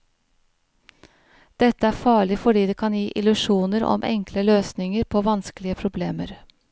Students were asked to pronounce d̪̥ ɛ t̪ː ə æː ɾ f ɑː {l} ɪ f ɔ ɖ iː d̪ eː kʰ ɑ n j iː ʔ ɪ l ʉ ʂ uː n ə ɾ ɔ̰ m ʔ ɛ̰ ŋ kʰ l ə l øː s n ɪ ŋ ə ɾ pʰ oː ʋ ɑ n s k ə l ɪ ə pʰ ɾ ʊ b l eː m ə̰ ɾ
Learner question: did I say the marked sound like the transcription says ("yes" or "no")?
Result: no